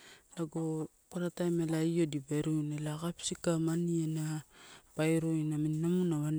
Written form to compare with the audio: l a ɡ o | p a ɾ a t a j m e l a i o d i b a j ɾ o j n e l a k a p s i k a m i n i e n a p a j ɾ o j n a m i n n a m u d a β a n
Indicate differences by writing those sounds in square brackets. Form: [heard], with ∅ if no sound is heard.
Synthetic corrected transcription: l a ɡ o | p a ɾ a t a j m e l a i o d i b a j ɾ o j n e l a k a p s i k a m [a] n i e n a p a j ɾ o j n a m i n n a m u [n] a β a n